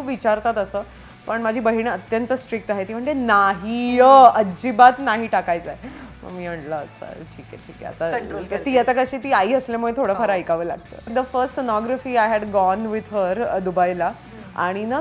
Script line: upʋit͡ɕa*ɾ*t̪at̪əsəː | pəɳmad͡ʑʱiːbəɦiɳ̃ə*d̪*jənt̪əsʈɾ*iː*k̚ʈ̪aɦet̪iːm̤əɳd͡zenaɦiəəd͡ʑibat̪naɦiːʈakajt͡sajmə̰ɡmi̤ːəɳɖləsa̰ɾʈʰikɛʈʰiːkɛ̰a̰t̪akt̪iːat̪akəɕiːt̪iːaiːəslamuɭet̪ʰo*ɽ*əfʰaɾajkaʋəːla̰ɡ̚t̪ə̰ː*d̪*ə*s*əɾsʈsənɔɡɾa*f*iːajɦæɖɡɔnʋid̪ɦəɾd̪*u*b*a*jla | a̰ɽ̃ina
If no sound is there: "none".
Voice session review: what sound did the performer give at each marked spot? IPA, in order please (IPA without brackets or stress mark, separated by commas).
ɾ, t̪, i, ɽ, d̪, f, f, u, a